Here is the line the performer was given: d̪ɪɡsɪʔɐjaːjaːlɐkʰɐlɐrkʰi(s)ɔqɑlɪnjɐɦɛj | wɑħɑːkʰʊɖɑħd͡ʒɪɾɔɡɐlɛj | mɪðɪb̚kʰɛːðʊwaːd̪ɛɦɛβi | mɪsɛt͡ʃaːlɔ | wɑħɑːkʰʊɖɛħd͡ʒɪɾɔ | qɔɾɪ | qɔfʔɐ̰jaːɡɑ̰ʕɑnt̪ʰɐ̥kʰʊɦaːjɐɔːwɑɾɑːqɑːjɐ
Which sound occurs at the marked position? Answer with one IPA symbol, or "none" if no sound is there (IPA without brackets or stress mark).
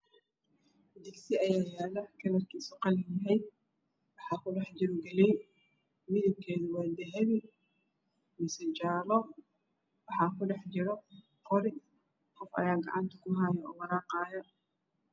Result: s